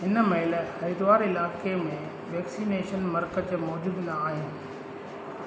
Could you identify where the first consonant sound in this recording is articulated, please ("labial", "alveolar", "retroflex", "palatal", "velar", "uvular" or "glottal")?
glottal